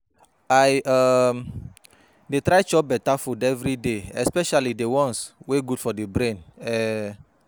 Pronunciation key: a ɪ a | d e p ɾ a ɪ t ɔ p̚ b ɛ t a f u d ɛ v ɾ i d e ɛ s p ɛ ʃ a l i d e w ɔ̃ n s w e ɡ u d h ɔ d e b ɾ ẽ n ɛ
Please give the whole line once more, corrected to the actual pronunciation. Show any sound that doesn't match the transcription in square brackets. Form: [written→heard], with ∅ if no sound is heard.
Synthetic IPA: a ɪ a | d e [p→t] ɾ a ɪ [t→t͡ʃ] ɔ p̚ b ɛ t a f u d ɛ v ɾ i d e ɛ s p ɛ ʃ a l i d e w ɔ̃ n s w e ɡ u d [h→f] ɔ d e b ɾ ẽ n ɛ